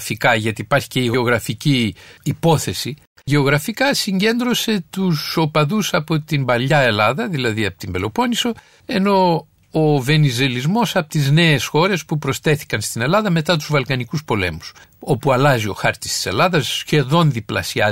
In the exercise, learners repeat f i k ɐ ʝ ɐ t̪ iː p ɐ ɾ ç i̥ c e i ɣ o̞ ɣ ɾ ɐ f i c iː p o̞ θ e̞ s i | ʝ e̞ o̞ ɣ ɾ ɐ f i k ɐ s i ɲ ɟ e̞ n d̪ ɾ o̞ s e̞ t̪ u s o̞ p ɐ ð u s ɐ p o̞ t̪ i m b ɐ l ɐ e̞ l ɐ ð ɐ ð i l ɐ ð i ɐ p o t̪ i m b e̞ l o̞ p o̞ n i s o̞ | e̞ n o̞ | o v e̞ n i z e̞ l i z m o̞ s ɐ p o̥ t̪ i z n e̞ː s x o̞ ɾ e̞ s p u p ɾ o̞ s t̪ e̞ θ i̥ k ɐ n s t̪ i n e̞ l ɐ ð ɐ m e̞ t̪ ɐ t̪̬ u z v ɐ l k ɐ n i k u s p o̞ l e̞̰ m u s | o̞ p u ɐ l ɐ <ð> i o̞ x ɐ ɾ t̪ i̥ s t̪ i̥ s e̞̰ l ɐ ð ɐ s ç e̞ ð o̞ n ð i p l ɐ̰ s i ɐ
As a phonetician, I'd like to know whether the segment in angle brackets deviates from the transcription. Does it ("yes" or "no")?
yes